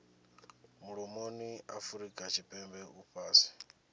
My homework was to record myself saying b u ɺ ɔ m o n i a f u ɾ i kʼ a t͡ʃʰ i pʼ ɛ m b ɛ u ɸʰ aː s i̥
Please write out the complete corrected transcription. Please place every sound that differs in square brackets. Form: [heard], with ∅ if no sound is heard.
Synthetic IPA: [m] u ɺ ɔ m o n i a f u ɾ i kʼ a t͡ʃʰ i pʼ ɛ m b ɛ u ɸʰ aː s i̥